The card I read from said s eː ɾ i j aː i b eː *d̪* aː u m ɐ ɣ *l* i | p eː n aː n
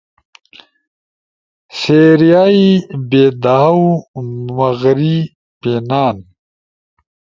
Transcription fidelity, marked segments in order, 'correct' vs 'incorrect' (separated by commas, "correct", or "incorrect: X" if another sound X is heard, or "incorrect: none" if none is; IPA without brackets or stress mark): correct, incorrect: ɾ